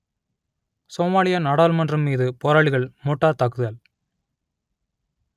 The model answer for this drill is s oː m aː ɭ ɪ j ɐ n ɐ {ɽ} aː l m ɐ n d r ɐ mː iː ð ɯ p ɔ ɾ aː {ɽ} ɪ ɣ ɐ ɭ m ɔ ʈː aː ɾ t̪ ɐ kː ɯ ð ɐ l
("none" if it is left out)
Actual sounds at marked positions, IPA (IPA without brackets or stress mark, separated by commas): ɽ, ɭ